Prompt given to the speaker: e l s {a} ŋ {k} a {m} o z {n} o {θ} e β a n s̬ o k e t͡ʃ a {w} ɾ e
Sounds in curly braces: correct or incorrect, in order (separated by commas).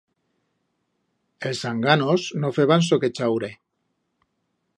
correct, incorrect, incorrect, correct, incorrect, correct